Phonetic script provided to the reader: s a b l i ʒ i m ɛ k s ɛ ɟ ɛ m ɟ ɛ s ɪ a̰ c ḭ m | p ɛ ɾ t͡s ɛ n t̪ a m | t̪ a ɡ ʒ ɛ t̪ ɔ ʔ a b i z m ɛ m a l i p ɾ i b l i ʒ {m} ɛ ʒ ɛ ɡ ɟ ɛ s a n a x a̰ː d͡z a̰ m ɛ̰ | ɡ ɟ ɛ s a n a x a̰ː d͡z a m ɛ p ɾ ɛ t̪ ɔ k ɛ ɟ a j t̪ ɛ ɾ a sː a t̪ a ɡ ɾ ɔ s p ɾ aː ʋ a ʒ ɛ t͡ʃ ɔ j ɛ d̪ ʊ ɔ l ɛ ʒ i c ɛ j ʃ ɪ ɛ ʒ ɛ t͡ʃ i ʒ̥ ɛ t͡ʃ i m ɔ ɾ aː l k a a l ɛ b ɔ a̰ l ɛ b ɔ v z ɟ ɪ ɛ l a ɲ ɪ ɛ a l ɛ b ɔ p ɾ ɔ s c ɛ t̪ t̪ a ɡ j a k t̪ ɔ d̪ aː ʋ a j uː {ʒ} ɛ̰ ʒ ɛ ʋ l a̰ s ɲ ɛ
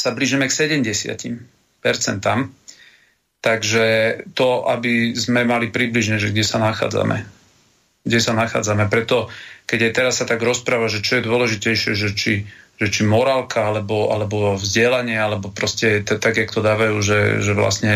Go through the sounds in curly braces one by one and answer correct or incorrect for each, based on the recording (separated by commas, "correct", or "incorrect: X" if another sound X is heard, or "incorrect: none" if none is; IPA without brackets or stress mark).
incorrect: ɲ, correct